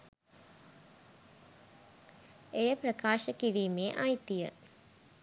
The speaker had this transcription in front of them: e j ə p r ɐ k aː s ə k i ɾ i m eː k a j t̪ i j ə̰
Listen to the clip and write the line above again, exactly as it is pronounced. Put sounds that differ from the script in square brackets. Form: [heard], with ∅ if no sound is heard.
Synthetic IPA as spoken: e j ə p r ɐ k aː [ʃ] ə k i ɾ [iː] m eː [ʔ] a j t̪ i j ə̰